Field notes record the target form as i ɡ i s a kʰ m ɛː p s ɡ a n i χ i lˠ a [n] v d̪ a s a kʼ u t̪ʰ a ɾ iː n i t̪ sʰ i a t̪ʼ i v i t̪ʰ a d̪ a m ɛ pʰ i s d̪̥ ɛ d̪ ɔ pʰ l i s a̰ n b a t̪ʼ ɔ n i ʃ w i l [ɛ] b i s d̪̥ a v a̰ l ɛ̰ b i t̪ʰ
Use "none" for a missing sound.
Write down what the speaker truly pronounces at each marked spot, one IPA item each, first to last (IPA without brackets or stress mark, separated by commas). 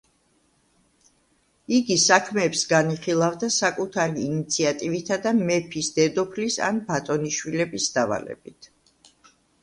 none, ɛ